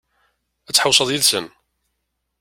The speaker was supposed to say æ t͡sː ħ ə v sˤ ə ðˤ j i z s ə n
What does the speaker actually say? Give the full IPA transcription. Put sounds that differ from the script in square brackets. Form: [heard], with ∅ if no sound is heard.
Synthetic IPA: æ t͡sː ħ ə [w] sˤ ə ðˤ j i [ð] s ə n